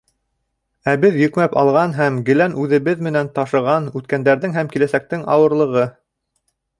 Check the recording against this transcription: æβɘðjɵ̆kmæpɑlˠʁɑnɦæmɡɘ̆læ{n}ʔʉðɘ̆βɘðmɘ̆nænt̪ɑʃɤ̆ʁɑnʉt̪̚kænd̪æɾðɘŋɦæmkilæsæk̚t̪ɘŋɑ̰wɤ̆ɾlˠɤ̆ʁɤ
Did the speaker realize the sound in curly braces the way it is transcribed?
yes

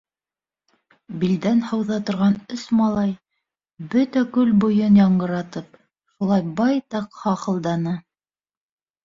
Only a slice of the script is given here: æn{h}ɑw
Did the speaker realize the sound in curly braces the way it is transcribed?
yes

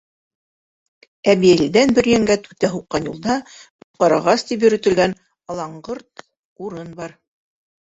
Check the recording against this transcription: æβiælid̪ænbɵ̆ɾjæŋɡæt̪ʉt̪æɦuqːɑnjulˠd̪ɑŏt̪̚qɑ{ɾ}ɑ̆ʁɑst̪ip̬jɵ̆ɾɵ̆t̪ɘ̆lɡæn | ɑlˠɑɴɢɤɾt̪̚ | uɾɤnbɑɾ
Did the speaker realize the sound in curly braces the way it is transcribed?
yes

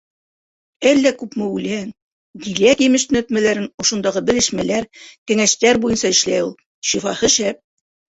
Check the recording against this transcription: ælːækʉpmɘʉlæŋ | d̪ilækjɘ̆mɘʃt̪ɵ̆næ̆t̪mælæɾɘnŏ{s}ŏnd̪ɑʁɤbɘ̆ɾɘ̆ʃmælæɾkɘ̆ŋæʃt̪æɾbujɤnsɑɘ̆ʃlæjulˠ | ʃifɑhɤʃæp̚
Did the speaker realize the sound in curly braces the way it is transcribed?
no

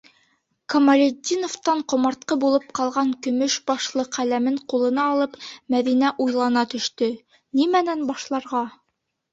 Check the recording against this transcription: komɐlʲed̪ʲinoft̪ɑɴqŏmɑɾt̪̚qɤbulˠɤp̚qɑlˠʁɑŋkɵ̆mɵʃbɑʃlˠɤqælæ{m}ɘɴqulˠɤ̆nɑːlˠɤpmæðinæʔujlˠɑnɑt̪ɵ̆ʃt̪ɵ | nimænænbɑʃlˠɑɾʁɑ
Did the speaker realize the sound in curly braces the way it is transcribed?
yes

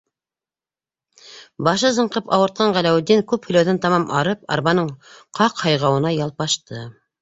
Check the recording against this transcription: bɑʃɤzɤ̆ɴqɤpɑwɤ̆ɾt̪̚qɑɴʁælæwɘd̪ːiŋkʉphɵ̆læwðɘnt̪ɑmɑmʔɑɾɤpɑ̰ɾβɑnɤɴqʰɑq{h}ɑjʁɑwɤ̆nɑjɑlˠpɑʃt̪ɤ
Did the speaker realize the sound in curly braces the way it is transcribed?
yes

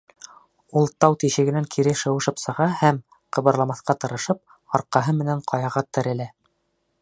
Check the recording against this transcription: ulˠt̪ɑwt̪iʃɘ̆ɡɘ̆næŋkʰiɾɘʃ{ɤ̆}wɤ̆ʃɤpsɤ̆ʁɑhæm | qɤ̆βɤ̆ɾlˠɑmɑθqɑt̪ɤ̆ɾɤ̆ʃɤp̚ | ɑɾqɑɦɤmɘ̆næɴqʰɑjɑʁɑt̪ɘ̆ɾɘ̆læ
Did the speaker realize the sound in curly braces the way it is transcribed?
yes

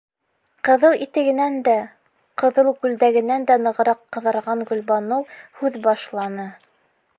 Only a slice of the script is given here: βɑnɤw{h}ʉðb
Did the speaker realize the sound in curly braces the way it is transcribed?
yes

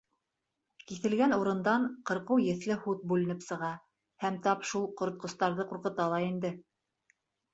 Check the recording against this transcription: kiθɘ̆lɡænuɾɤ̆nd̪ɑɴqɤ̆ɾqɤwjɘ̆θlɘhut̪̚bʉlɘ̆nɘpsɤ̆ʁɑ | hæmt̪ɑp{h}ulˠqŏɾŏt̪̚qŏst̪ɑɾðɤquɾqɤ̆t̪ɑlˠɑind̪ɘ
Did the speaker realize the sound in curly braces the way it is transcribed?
no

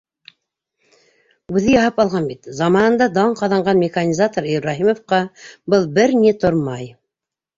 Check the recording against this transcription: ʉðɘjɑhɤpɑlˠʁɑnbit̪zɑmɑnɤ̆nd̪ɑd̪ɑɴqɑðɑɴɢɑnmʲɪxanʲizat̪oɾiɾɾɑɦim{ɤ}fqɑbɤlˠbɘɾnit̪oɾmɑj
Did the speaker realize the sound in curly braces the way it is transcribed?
no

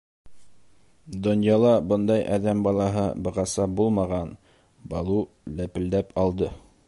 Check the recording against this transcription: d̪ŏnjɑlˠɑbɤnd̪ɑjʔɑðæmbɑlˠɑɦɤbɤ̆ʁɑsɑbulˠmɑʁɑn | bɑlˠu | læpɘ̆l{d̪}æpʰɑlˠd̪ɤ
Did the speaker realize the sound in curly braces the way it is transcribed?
yes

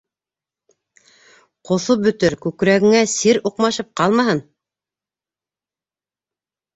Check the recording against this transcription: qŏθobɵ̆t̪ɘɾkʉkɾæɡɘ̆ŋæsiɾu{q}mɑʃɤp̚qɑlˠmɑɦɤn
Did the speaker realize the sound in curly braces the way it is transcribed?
yes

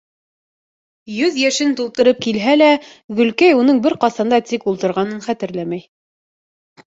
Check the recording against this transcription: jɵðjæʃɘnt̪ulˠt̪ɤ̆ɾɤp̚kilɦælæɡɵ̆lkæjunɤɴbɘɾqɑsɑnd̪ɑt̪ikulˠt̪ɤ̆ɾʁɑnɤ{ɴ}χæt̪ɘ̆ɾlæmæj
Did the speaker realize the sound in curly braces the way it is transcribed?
no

